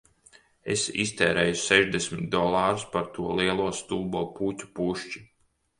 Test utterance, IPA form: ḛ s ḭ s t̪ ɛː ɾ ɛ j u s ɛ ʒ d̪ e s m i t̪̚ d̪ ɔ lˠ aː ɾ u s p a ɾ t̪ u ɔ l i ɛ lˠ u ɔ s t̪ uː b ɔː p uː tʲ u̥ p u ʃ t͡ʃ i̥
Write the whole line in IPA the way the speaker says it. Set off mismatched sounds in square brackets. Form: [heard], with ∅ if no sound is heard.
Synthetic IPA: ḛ s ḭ s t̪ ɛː ɾ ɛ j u s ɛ ʒ d̪ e s m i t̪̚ d̪ ɔ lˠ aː ɾ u s p a ɾ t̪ u ɔ l i ɛ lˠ u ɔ s t̪ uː b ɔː p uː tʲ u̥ p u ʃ t͡ʃ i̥